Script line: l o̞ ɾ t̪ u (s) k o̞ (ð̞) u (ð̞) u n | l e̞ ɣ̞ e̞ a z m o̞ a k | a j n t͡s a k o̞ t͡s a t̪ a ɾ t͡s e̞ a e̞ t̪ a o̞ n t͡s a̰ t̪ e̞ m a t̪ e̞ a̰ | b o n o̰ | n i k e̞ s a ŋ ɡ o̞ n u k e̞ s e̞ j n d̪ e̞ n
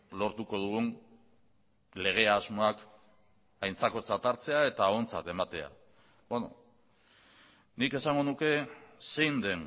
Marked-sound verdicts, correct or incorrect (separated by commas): incorrect, correct, incorrect